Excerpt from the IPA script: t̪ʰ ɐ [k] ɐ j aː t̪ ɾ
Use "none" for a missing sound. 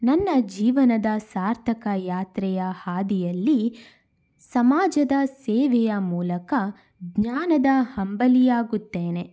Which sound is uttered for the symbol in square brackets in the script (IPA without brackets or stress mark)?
k